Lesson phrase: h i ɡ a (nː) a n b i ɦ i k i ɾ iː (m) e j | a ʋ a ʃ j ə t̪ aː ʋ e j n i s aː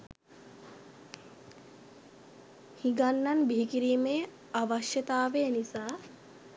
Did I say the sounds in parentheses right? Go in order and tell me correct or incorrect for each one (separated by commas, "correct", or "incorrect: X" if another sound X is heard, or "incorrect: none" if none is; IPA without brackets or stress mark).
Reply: correct, correct